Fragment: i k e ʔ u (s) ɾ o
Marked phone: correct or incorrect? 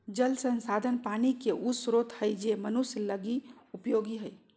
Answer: correct